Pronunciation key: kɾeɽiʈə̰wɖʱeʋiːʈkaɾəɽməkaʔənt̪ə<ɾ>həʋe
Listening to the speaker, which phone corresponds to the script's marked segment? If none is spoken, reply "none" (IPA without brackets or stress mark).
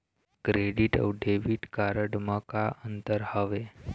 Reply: ɾ